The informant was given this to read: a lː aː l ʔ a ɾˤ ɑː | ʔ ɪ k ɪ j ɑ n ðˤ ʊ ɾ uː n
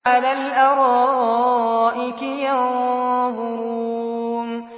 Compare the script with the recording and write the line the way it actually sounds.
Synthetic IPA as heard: a l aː l ʔ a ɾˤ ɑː | ʔ ɪ k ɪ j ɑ n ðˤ ʊ ɾ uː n